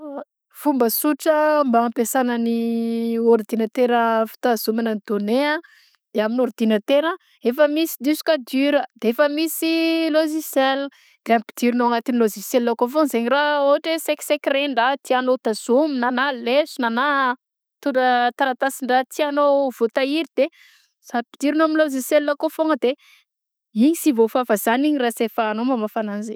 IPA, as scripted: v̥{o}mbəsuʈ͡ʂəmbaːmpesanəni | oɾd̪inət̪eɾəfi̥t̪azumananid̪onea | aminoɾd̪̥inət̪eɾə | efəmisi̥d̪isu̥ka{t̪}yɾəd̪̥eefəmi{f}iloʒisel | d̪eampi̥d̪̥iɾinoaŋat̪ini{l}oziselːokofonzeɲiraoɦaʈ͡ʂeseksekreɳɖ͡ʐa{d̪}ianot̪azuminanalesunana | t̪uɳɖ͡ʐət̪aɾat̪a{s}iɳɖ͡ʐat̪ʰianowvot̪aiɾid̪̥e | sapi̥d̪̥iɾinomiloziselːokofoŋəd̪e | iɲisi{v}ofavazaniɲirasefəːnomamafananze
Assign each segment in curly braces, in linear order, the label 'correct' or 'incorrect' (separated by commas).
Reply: incorrect, incorrect, incorrect, correct, incorrect, correct, correct